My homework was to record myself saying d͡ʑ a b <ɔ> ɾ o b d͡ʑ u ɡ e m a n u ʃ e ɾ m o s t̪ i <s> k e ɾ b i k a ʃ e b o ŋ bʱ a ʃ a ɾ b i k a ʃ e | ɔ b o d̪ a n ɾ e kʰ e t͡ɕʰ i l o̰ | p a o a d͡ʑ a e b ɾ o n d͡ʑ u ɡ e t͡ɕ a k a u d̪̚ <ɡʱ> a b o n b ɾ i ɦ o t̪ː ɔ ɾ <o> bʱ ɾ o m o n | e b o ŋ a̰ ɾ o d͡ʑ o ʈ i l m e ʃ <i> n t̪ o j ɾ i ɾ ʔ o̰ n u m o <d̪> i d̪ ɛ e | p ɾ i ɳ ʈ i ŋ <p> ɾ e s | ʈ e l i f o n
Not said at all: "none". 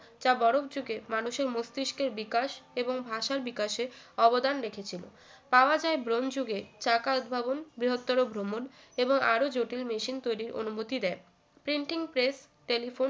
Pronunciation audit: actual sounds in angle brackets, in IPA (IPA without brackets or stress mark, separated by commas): ɔ, ʃ, bʱ, o, i, t̪, p